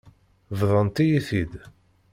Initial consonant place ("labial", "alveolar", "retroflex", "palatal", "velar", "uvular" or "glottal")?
labial